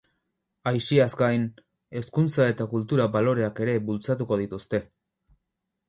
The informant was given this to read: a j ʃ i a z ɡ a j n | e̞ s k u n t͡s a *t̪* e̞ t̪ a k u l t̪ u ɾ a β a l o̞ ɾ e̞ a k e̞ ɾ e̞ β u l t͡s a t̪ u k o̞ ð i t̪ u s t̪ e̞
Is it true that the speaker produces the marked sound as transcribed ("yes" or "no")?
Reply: no